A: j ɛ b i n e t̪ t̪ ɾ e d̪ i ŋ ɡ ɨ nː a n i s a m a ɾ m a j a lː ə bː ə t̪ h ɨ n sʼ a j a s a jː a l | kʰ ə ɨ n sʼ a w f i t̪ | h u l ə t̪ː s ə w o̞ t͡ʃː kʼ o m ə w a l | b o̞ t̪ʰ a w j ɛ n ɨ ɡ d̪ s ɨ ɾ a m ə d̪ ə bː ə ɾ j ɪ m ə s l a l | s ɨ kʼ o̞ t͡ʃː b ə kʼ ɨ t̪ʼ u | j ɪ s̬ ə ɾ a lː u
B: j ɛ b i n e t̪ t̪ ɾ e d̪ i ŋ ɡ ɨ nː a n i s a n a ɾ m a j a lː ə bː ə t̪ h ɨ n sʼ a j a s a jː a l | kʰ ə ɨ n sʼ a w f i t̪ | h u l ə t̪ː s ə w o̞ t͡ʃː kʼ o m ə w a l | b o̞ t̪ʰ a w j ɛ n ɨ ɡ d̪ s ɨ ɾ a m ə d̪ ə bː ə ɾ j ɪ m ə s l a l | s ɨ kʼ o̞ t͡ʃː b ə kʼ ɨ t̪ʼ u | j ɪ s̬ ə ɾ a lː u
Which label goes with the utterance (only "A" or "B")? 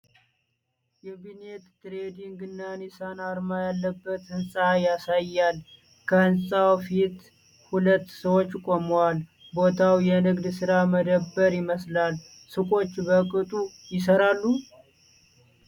B